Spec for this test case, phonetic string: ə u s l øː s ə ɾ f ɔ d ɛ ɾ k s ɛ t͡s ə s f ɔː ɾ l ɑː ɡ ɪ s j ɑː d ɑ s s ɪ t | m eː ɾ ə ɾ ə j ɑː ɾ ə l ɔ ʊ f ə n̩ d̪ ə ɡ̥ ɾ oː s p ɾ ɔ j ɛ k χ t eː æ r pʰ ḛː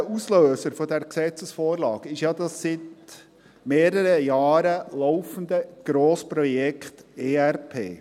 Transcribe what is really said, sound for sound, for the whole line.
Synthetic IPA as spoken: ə u s l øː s ə ɾ f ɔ d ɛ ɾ k s ɛ t͡s ə s f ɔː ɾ l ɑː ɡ ɪ ʃ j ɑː d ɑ s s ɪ t | m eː ɾ ə ɾ ə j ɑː ɾ ə l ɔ ʊ f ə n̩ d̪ ə ɡ̥ ɾ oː s p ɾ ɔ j ɛ k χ t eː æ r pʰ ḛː